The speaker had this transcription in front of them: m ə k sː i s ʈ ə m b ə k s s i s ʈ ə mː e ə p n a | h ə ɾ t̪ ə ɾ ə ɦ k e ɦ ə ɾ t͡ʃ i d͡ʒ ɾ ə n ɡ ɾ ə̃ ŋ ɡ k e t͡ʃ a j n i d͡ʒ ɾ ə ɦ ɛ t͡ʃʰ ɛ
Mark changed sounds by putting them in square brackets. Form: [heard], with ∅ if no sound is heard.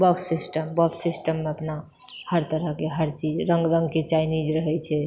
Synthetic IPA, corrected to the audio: [b] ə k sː i s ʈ ə m b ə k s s i s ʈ ə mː e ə p n a | h ə ɾ t̪ ə ɾ ə ɦ k e ɦ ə ɾ t͡ʃ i d͡ʒ ɾ ə [ŋ] ɡ ɾ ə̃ ŋ ɡ k e t͡ʃ a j n i d͡ʒ ɾ ə ɦ ɛ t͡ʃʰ ɛ